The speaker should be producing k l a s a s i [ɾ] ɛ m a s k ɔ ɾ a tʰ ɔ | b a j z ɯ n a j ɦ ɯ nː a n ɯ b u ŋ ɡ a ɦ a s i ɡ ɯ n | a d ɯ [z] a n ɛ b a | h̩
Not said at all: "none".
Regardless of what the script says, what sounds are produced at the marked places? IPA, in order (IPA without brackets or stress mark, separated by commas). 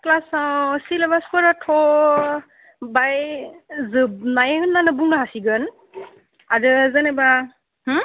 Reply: l, z